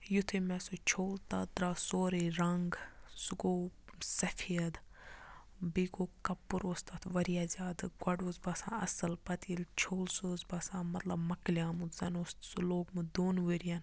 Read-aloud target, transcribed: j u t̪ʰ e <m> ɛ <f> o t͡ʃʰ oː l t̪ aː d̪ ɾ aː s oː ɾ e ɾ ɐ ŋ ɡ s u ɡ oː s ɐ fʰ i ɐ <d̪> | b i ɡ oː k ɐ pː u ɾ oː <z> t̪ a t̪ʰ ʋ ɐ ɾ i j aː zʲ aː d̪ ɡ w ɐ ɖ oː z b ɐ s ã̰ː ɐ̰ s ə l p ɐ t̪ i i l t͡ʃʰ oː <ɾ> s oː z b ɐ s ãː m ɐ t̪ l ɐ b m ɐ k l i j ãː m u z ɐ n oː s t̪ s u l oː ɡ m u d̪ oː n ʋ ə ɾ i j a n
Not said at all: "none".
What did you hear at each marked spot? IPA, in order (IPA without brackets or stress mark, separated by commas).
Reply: m, s, d̪, s, l